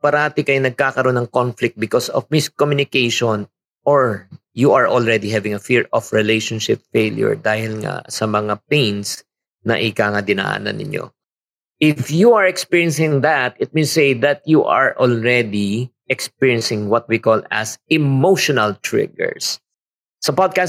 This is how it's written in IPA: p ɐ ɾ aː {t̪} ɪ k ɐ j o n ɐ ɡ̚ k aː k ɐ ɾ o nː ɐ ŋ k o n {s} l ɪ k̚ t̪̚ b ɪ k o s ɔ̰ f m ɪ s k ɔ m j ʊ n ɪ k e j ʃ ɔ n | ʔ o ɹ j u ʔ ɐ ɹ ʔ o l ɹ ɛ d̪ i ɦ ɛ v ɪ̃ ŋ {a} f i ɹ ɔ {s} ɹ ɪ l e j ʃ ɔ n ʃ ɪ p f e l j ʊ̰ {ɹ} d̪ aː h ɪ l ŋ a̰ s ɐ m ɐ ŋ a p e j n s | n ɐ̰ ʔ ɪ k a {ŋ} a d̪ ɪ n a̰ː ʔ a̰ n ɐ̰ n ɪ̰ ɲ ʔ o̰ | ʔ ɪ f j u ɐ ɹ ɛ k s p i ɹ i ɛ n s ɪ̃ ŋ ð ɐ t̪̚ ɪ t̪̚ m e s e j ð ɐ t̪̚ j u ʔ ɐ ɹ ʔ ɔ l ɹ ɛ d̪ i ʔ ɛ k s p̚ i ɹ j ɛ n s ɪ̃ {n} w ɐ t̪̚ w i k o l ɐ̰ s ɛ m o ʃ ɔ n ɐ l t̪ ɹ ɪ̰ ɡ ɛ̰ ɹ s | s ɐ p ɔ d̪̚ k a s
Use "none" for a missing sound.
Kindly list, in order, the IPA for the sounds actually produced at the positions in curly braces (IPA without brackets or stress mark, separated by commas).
t̪, f, ɐ, f, ɹ, ŋ, ŋ